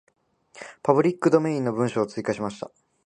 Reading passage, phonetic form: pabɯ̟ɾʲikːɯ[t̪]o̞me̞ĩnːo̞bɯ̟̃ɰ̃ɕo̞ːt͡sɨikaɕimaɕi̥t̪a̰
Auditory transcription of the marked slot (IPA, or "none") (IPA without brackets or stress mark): d̪